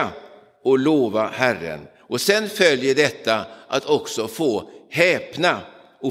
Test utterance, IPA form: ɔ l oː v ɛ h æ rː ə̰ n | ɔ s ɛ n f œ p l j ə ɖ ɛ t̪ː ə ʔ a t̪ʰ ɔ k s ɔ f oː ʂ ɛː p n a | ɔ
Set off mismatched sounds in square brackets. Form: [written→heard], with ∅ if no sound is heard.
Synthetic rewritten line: ɔ l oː v [ɛ→a] h æ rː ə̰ n | ɔ s ɛ n f œ [p→∅] l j ə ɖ ɛ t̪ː [ə→a] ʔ a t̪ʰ ɔ k s ɔ f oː [ʂ→h] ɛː p n a | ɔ